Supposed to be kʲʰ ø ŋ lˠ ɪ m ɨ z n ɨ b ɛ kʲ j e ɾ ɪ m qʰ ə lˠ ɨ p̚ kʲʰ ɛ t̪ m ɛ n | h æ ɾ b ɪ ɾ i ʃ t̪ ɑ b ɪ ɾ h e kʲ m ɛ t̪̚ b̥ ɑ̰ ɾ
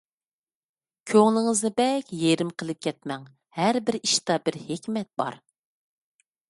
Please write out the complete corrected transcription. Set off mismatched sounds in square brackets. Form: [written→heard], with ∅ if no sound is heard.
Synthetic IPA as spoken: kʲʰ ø ŋ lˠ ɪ [m→ŋ] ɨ z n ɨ b ɛ kʲ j e ɾ ɪ m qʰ ə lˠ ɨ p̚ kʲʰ ɛ t̪ m ɛ [n→ŋ] | h æ ɾ b ɪ ɾ i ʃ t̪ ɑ b ɪ ɾ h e kʲ m ɛ t̪̚ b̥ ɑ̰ ɾ